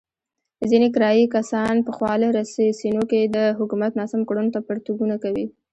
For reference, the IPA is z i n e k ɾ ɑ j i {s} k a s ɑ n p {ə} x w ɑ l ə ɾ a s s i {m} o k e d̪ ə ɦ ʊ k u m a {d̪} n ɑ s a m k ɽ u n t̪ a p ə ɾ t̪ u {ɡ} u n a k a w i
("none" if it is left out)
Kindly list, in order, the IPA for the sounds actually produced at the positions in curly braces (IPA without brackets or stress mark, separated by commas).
none, ə, n, t̪, ɡ